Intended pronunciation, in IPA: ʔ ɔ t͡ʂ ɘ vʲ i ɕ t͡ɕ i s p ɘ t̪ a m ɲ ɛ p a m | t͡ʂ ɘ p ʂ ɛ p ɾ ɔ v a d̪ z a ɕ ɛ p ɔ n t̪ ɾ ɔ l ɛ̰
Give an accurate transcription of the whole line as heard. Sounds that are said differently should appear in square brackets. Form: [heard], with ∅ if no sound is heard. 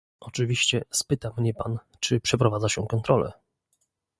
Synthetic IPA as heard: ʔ ɔ t͡ʂ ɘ vʲ i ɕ t͡ɕ [ɛ] s p ɘ t̪ a m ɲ ɛ p a [n] | t͡ʂ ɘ p ʂ ɛ p ɾ ɔ v a d̪ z a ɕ ɛ [k] ɔ n t̪ ɾ ɔ l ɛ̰